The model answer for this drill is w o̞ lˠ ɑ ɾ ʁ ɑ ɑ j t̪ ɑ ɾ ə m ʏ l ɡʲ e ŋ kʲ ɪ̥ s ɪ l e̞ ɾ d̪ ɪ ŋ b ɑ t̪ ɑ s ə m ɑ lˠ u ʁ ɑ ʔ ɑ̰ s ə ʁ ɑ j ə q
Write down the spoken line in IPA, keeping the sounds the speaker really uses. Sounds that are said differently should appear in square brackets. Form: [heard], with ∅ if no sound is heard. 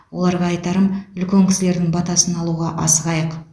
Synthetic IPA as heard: w o̞ lˠ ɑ ɾ ʁ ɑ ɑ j t̪ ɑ ɾ ə m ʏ l [kʲ] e ŋ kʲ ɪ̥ s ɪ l e̞ ɾ d̪ ɪ ŋ b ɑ t̪ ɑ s ə [n] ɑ lˠ u ʁ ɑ ʔ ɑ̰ s ə ʁ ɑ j ə q